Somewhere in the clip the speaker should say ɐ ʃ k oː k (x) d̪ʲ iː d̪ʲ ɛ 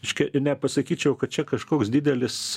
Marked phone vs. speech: incorrect: s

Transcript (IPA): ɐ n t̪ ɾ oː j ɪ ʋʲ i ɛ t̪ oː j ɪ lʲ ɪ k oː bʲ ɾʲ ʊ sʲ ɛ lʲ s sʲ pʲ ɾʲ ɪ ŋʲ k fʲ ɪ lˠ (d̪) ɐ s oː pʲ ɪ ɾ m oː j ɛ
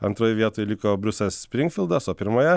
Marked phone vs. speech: correct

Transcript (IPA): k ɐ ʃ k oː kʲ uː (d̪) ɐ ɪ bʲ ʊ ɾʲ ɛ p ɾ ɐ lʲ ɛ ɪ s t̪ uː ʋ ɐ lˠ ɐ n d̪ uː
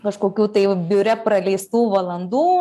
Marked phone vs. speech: incorrect: t̪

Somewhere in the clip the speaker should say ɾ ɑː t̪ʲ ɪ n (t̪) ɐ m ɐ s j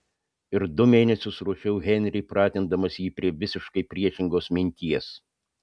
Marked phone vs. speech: incorrect: d̪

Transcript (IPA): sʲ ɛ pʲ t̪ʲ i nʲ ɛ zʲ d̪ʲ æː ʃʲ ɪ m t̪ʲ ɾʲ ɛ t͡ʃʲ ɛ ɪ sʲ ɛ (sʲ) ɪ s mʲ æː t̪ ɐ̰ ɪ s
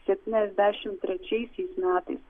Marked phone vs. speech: incorrect: none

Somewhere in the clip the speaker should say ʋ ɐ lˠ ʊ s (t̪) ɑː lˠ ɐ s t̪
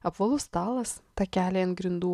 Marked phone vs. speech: correct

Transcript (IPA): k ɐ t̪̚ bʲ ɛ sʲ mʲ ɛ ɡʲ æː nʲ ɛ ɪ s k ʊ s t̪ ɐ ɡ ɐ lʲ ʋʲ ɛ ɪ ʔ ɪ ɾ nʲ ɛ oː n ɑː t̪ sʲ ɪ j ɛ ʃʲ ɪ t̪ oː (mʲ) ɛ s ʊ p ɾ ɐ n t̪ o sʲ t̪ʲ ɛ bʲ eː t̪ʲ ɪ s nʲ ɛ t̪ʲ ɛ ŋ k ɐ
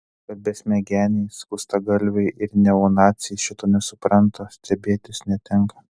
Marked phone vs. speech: incorrect: nʲ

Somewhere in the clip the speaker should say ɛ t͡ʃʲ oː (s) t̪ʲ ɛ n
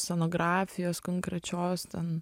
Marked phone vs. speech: correct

